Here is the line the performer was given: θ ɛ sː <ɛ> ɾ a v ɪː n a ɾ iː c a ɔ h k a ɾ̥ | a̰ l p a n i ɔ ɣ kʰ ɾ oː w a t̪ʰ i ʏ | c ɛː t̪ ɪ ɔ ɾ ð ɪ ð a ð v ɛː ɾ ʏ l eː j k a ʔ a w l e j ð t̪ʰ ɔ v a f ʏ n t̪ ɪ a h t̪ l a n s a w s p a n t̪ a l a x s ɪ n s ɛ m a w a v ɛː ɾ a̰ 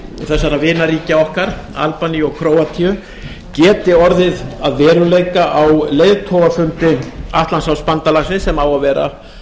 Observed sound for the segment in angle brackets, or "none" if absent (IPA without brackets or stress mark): a